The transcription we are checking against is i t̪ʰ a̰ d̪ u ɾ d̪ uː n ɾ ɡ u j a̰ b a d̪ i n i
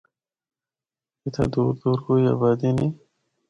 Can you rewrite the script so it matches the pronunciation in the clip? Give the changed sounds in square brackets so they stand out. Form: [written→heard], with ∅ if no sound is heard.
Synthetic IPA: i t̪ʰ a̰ d̪ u ɾ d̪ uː [n→∅] ɾ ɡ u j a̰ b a d̪ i n i